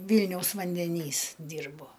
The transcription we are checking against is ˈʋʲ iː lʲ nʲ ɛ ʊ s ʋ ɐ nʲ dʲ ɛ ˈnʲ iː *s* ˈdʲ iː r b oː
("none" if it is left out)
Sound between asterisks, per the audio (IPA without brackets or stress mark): s